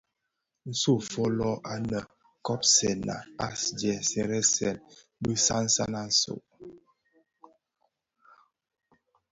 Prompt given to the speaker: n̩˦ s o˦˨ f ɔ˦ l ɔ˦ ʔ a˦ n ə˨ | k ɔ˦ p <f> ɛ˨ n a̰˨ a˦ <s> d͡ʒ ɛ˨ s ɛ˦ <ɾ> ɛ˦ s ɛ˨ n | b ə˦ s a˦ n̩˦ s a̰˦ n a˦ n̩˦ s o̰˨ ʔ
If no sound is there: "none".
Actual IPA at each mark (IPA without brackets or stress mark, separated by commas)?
s, s, ɾ